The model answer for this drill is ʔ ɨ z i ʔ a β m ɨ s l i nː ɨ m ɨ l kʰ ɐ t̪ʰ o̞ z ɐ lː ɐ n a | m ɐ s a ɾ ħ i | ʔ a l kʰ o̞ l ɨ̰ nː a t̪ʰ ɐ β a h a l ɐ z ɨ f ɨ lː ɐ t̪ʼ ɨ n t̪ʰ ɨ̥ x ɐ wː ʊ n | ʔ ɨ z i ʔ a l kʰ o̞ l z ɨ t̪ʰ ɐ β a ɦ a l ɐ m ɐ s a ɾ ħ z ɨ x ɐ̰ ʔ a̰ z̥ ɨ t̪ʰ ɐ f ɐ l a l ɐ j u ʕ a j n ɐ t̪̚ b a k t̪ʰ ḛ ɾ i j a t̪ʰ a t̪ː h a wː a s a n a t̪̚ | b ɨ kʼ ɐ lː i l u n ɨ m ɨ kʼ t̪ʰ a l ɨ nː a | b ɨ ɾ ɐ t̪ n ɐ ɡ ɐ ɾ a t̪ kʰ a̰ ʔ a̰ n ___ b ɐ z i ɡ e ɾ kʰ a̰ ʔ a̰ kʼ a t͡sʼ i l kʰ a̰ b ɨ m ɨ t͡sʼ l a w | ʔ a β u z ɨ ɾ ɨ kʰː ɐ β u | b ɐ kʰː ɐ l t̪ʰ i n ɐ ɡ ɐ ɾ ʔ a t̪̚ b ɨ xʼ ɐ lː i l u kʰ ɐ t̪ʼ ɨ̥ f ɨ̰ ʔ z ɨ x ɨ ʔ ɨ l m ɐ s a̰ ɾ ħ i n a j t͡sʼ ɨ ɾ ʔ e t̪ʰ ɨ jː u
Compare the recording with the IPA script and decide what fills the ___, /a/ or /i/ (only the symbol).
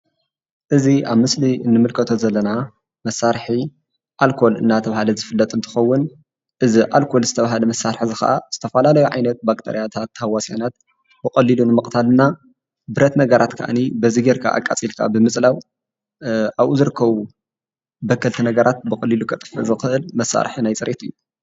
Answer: i